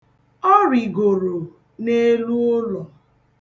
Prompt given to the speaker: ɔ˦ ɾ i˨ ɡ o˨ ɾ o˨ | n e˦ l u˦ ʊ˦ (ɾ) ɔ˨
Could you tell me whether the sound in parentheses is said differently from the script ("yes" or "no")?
yes